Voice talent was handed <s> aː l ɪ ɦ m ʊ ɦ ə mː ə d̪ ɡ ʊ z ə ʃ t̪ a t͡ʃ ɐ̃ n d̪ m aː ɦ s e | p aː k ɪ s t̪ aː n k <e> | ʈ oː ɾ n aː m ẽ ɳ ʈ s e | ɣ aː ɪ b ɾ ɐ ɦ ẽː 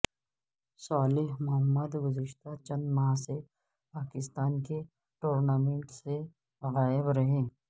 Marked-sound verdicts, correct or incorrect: correct, correct

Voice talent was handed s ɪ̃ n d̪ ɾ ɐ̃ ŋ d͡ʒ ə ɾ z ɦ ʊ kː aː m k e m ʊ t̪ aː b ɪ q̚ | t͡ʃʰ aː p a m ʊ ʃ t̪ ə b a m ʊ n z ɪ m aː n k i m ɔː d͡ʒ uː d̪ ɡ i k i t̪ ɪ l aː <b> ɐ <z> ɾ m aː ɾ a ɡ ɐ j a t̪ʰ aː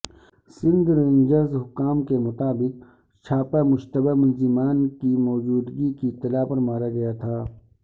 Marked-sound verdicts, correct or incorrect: incorrect: p, incorrect: none

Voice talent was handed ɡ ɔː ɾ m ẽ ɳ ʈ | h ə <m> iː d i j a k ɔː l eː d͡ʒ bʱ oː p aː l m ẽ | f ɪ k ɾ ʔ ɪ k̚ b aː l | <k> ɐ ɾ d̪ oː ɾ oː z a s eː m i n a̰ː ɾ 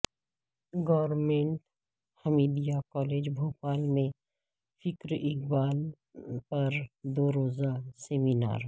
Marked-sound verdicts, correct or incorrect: correct, incorrect: p

